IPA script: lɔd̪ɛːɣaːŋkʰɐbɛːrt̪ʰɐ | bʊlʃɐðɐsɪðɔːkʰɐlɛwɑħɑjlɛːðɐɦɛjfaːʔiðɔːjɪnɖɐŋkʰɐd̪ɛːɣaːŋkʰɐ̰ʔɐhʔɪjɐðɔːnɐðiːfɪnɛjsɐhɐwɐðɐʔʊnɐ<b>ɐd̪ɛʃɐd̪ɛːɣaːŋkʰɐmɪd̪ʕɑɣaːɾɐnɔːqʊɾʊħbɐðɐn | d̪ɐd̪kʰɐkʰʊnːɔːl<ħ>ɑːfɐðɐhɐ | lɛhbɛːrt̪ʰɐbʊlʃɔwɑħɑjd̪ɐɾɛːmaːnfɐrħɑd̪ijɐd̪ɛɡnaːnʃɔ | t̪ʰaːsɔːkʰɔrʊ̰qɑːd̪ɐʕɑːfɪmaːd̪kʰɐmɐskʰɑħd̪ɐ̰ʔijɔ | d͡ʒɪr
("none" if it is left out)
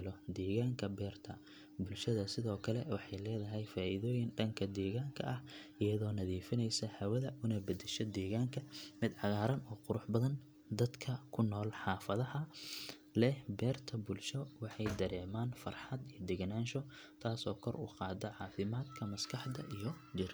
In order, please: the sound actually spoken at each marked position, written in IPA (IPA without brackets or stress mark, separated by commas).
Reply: b, ħ